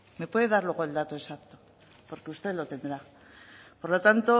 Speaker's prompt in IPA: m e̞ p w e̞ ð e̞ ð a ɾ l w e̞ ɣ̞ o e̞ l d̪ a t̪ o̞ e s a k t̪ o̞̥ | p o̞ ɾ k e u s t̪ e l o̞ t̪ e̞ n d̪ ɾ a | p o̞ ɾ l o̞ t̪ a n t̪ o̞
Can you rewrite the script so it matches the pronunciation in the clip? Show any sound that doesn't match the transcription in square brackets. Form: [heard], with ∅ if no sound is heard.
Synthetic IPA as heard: m e̞ p w e̞ ð e̞ ð a ɾ l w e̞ ɣ̞ o e̞ l d̪ a t̪ o̞ e s a k t̪ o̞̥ | p o̞ ɾ k e u s t̪ e l o̞ t̪ e̞ n d̪ ɾ a | p o̞ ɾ l o̞ t̪ a n t̪ o̞